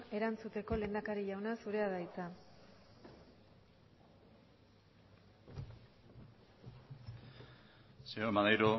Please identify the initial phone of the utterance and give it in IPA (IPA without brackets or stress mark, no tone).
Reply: e̞